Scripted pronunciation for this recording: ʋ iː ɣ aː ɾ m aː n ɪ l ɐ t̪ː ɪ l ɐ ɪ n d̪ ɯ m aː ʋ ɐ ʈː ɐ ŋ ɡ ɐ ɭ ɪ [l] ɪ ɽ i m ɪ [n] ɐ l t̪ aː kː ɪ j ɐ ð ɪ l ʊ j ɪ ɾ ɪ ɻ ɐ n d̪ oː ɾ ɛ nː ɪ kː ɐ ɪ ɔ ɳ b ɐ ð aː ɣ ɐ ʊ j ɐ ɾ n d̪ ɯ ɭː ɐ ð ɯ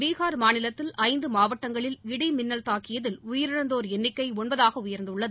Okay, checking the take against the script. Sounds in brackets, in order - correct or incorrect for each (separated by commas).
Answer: correct, incorrect